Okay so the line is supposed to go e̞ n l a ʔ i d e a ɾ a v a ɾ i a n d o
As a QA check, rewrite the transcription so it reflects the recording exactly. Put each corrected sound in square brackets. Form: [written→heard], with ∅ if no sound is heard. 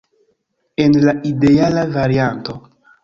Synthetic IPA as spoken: e̞ n l a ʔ i d e a [ɾ→l] a v a ɾ i a n [d→t] o